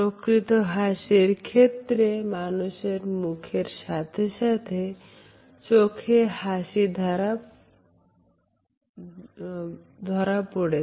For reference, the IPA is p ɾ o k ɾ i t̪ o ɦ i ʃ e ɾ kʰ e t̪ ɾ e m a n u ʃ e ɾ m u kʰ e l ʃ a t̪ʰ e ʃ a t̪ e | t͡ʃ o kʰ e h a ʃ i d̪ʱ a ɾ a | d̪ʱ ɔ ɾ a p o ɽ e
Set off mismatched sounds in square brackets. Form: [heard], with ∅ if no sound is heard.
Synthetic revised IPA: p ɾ o k ɾ i t̪ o ɦ [a] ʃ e ɾ kʰ e t̪ ɾ e m a n u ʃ e ɾ m u kʰ e [ɾ] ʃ a t̪ʰ e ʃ a [t̪ʰ] e | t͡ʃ o kʰ e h a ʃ i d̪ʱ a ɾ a | d̪ʱ ɔ ɾ a p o ɽ e